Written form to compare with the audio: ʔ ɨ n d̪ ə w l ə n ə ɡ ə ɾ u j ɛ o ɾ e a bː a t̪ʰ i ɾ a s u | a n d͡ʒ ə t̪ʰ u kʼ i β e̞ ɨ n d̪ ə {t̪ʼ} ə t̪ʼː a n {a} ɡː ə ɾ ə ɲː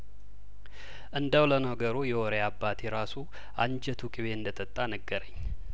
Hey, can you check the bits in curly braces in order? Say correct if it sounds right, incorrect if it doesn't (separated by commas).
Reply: correct, incorrect